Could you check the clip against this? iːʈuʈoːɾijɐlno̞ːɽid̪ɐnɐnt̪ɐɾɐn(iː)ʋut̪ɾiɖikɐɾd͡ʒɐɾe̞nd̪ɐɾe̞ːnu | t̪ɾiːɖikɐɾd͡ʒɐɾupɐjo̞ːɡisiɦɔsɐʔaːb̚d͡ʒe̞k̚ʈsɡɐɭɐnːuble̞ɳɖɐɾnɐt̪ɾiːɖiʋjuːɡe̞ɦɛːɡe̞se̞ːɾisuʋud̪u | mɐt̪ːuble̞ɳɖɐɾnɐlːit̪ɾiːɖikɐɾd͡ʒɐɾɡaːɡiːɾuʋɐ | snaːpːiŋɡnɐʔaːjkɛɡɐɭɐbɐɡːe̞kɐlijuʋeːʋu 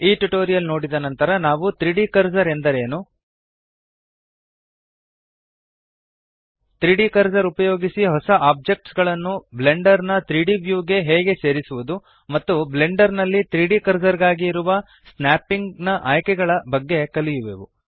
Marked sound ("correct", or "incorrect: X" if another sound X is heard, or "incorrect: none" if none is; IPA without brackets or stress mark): incorrect: aː